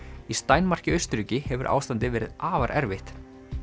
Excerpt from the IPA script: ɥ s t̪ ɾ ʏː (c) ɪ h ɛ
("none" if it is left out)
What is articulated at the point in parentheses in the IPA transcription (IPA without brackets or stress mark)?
c